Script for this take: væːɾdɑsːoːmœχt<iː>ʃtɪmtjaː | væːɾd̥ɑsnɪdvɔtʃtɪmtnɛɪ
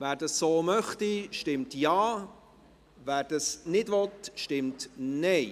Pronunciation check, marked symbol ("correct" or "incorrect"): incorrect